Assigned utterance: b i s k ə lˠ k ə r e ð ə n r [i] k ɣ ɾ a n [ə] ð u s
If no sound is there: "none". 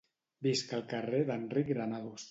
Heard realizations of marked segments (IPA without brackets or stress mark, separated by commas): i, a